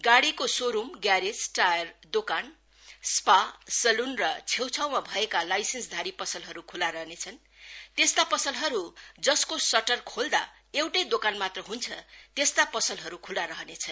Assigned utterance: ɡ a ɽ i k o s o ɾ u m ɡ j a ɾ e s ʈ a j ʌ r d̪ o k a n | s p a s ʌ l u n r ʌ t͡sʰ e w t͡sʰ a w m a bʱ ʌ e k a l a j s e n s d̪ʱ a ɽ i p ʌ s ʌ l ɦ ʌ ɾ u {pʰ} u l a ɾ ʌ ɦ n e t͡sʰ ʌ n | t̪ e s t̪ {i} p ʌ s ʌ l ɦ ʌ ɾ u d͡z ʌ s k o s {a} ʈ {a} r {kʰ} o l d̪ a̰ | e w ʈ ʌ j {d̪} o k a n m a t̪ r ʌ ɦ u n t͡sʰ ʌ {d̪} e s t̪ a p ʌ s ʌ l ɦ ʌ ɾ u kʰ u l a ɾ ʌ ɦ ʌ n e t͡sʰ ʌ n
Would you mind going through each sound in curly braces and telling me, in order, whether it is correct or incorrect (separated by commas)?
incorrect, incorrect, incorrect, incorrect, correct, correct, incorrect